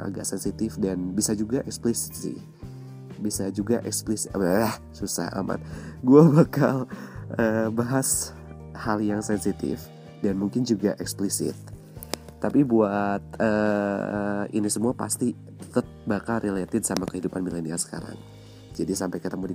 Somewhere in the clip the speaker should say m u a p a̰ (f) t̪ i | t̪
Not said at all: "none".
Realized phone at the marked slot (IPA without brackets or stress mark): s